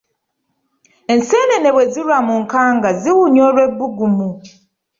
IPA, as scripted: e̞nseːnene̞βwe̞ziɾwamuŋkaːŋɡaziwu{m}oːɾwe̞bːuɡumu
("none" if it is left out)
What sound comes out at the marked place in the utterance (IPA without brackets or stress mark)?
ɲ